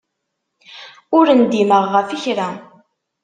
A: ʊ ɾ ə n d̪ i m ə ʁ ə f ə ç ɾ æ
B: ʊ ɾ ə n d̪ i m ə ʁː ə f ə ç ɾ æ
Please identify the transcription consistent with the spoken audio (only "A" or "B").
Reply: B